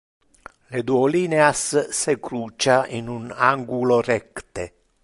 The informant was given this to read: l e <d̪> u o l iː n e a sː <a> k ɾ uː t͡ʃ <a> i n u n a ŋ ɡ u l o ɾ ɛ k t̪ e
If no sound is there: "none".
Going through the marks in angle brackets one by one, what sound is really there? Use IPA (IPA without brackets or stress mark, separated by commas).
d̪, e, a